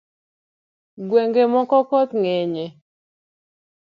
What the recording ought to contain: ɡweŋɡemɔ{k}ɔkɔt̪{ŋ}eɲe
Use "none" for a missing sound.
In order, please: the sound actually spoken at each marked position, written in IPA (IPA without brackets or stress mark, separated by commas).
k, ŋ